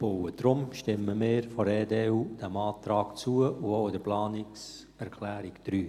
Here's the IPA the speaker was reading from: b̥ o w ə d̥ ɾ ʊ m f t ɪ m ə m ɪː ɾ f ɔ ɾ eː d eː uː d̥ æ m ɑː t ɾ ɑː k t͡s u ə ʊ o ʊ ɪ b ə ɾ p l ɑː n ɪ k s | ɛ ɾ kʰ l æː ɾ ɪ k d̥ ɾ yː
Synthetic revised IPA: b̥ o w ə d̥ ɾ ʊ m ʃ t ɪ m ə m ɪː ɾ f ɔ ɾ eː d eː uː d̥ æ m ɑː t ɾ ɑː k t͡s u ə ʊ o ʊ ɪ d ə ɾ p l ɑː n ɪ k s | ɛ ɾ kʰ l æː ɾ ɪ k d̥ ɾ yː